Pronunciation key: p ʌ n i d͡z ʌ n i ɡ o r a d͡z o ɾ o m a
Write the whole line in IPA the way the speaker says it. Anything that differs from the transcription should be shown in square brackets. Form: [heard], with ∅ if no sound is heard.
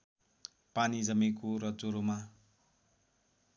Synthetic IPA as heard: p [a] n i d͡z ʌ [m] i [k] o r [ʌ] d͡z o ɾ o m a